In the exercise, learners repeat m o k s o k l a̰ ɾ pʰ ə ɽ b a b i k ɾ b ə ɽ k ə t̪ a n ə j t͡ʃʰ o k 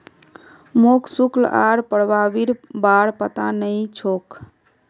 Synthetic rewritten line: m o k s u k l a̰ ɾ p ə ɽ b a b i ɾ b a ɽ p ə t̪ a n ə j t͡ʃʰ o k